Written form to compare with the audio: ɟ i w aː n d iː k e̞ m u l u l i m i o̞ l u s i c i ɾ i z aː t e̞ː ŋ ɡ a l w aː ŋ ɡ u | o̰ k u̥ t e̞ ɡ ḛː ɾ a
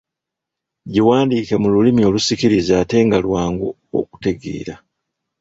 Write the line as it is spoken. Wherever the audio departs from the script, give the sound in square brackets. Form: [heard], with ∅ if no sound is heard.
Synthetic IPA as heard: ɟ i w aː n d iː k e̞ m u l u l i m i o̞ l u s i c i ɾ i z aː t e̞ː ŋ ɡ a l w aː ŋ ɡ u | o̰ k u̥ t e̞ ɡ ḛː ɾ a

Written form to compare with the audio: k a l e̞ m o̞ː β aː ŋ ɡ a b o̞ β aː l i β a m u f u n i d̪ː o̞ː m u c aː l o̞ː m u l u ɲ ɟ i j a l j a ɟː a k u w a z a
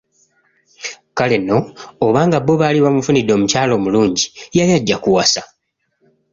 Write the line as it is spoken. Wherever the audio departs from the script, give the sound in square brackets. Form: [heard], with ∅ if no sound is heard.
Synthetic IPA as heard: k a l e̞ [n] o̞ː β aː ŋ ɡ a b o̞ β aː l i β a m u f u n i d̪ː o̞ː m u c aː l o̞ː m u l [uː] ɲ ɟ i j a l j a ɟː a k u w a [s] a

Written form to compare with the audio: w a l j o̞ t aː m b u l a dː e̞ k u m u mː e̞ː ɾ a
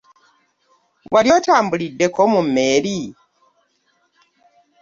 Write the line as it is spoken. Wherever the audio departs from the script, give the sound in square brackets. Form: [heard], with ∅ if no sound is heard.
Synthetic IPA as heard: w a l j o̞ t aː m b u l [i] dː e̞ k [o] m u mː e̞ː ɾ [i]

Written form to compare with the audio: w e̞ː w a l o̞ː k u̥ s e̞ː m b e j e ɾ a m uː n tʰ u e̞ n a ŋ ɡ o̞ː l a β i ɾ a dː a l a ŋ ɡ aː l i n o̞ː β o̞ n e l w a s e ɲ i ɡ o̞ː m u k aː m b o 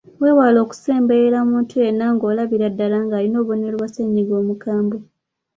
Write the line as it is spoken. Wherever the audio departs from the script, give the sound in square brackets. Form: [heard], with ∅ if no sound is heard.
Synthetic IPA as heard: w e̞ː w a l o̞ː k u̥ s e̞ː m b e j e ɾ a m uː n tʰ u e̞ n a ŋ ɡ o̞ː l a β i ɾ a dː a l a ŋ ɡ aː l i n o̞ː β o̞ n e l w a s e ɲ i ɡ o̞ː m u k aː m b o

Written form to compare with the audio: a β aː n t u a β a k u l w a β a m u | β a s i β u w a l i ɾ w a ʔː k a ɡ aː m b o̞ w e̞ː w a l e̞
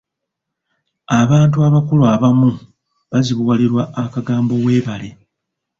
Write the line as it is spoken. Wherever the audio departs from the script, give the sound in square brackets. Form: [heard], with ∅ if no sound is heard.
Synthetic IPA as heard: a β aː n t u a β a k u l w a β a m u | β a [z] i β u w a l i ɾ w a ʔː k a ɡ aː m b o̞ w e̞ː [β] a l e̞

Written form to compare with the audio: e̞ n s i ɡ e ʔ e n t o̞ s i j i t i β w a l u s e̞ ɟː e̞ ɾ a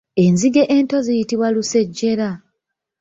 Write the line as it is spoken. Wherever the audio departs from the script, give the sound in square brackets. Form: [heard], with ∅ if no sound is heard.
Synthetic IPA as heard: e̞ n [z] i ɡ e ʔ e n t o̞ [z] i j i t i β w a l u s e̞ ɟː e̞ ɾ a

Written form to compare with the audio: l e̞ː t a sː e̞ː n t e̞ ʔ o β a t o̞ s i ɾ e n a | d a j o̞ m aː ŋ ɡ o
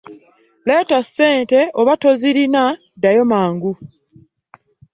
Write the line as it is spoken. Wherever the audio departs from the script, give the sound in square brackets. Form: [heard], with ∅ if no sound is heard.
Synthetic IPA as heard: l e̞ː t a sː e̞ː n t e̞ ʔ o β a t o̞ [z] i ɾ [i] n a | d a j o̞ m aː ŋ ɡ [u]

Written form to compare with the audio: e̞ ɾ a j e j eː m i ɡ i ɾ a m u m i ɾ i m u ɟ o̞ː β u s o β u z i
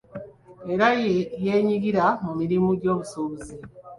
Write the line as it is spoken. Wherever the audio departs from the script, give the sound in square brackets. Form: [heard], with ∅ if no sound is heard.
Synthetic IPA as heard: e̞ ɾ a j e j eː [ɲ] i ɡ i ɾ a m u m i ɾ i m u ɟ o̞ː β u s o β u z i

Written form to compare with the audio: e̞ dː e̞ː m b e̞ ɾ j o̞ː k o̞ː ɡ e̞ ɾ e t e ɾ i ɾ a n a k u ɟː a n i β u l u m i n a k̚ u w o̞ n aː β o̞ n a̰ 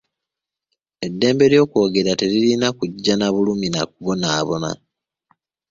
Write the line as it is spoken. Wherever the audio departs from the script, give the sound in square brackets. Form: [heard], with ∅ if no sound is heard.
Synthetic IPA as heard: e̞ dː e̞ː m b e̞ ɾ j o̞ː k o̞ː ɡ e̞ ɾ [a] t e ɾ i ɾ [i] n a k u ɟː a n [a] β u l u m i n a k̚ u [β] o̞ n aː β o̞ n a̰

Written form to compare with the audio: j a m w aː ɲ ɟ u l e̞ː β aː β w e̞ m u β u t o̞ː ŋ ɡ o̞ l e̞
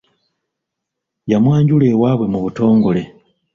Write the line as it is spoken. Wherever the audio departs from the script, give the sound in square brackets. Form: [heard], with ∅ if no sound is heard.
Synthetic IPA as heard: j a m w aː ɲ ɟ u l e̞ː [w] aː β w e̞ m u β u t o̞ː ŋ ɡ o̞ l e̞

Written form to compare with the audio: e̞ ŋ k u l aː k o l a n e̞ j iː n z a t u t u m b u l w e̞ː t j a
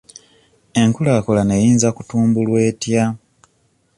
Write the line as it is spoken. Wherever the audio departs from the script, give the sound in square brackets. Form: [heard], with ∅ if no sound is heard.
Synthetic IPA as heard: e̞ ŋ k u l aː k o l a n e̞ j iː n z a [k] u t [uː] m b u l w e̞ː t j a

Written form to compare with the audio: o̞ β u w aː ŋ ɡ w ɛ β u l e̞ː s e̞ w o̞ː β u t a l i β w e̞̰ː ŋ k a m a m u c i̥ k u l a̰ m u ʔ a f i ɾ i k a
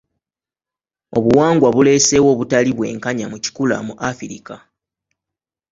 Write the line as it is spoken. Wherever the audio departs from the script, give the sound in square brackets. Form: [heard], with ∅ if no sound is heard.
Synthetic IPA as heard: o̞ β u w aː ŋ ɡ w [a] β u l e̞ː s e̞ w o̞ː β u t a l i β w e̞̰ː ŋ k a [ɲ] a m u c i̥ k u l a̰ m u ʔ a f i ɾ i k a

